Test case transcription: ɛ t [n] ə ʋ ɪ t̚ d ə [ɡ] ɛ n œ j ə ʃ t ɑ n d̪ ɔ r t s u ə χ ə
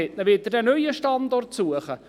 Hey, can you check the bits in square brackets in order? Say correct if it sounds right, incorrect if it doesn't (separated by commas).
correct, incorrect